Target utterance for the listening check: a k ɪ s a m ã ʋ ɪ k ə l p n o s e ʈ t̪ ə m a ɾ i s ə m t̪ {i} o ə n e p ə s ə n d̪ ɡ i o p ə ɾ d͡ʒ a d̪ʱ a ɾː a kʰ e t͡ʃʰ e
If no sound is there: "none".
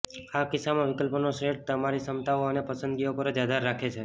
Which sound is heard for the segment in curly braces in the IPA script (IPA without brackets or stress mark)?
a